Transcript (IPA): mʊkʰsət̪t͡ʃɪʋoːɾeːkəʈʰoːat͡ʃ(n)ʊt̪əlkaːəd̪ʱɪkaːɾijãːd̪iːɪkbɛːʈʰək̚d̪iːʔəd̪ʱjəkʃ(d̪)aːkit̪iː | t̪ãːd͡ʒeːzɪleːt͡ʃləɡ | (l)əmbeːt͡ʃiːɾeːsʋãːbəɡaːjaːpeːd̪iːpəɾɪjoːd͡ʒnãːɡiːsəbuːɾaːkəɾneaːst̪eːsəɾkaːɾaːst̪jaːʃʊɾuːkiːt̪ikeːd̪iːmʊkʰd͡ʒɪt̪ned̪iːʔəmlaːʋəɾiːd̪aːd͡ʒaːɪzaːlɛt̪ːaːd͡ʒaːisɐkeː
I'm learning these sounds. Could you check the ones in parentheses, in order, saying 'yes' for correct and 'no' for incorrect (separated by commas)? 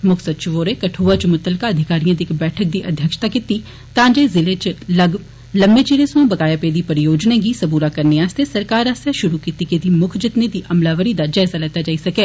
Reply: no, no, yes